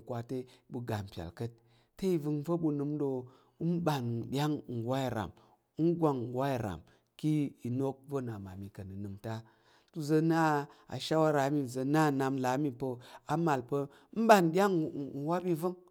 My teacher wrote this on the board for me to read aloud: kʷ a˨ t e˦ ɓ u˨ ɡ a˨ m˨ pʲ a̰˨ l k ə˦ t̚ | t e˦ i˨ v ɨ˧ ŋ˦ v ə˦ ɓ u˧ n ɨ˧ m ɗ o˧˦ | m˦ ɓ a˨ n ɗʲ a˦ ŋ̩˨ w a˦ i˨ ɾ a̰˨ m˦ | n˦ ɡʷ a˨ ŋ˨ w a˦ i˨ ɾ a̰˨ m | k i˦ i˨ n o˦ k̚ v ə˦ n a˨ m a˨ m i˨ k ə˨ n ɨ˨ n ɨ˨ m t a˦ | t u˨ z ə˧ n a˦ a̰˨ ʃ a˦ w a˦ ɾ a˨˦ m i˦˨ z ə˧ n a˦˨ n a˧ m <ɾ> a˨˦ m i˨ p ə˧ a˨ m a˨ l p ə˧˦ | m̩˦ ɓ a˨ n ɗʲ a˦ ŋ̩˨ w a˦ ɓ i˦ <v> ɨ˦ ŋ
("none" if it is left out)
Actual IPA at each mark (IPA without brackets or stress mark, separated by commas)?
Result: l, v